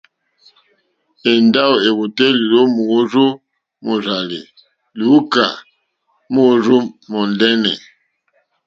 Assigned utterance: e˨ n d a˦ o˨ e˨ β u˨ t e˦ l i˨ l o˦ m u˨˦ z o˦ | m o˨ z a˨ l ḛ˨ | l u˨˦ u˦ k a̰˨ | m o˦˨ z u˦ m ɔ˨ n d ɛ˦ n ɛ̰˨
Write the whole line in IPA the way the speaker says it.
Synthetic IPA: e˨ n d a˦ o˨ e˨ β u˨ t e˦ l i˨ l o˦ m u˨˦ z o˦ | m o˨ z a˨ l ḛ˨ | l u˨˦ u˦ k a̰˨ | m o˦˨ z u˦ m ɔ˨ n d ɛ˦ n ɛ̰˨